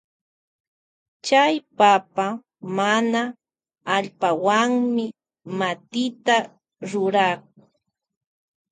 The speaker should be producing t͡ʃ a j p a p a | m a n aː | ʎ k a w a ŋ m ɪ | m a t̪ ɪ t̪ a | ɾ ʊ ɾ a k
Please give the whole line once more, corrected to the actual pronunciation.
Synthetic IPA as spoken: t͡ʃ a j p a p a | m a n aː | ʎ p a w a ŋ m ɪ | m a t̪ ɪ t̪ a | ɾ ʊ ɾ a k